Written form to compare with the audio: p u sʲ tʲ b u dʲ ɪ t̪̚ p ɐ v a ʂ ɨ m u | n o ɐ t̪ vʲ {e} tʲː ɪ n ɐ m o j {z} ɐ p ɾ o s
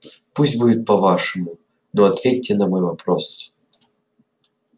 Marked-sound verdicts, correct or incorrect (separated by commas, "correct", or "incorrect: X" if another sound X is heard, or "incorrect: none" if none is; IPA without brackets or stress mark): correct, incorrect: v